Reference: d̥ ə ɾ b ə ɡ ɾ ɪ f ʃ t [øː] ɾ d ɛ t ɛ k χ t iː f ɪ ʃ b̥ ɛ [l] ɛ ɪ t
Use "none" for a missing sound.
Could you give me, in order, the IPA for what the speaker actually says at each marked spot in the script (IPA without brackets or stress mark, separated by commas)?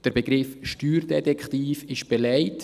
yː, l